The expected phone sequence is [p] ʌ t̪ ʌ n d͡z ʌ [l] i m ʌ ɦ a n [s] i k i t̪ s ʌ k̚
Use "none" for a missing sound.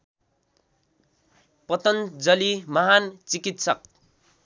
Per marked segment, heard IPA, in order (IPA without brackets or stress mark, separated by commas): p, l, t͡s